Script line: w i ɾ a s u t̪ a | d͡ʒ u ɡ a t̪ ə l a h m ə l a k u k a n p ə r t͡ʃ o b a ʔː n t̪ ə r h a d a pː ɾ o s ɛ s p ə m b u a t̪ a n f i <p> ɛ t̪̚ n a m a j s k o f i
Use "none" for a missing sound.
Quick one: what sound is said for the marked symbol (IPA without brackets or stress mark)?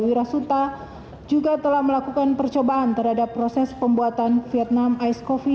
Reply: none